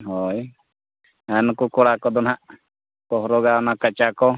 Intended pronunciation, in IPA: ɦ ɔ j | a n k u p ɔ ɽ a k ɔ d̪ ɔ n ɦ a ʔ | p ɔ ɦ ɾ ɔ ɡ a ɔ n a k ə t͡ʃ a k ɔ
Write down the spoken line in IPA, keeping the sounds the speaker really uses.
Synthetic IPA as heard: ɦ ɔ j | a n k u k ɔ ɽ a k ɔ d̪ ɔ n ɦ a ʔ | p ɔ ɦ ɾ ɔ ɡ a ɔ n a k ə t͡ʃ a k ɔ